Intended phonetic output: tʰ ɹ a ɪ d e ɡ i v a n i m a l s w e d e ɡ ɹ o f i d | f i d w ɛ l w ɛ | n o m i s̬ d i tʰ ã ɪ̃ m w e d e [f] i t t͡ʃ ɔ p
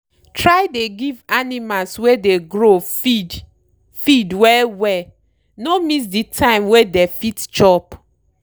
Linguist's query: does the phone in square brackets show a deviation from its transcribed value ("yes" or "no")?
no